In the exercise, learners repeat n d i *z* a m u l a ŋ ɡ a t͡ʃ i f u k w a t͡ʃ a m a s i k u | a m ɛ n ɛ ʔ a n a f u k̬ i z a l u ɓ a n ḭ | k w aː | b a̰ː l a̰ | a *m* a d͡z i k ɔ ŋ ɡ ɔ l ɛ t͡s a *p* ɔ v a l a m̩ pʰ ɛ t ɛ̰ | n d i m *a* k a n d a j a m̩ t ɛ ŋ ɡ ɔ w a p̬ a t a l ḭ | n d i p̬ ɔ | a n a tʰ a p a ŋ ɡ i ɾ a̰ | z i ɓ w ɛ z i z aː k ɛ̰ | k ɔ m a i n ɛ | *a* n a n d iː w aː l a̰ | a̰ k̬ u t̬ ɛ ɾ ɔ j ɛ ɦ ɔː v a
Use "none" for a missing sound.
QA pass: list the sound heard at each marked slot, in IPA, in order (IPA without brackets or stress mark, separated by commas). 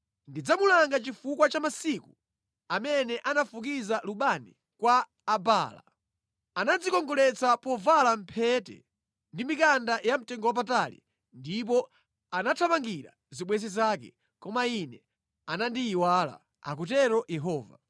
d͡z, n, p, i, a